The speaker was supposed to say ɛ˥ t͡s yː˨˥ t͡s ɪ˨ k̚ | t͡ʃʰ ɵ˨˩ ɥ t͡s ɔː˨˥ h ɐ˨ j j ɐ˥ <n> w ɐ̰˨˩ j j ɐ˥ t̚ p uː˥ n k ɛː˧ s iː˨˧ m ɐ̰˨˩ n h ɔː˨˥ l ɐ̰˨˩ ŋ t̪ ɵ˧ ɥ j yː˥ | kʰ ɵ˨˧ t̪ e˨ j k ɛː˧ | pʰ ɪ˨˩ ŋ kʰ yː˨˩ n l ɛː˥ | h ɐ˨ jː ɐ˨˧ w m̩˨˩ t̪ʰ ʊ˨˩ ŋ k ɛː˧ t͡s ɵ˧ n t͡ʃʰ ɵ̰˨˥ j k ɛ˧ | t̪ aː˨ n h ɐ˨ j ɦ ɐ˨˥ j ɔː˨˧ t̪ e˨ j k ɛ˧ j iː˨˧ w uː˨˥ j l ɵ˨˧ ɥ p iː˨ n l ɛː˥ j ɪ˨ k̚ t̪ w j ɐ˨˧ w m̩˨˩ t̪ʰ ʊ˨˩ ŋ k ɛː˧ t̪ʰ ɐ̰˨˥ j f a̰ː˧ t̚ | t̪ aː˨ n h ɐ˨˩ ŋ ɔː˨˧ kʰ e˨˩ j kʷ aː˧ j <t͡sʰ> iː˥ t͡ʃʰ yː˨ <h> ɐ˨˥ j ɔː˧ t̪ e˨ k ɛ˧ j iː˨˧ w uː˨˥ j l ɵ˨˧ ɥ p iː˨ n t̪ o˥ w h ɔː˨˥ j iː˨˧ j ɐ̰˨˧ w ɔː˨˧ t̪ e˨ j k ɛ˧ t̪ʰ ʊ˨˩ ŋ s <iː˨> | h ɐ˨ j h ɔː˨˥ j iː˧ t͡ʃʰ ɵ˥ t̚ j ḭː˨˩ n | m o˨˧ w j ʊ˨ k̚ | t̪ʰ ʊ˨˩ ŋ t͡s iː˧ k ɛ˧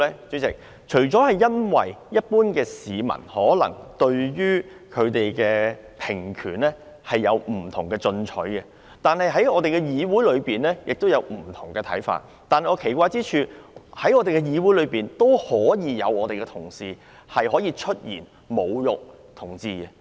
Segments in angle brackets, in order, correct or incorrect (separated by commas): correct, incorrect, correct, correct